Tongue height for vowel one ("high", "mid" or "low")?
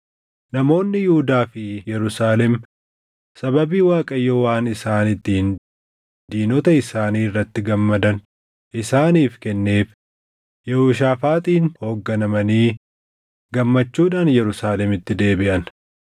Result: low